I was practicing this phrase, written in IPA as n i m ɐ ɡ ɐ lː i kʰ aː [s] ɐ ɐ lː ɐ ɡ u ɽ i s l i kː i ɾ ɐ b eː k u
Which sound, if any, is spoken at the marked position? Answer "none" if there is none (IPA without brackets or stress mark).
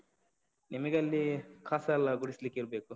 s